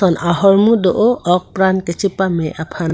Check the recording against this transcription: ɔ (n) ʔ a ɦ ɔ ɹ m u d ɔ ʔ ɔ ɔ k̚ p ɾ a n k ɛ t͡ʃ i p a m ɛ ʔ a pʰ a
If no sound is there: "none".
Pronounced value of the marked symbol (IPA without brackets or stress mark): n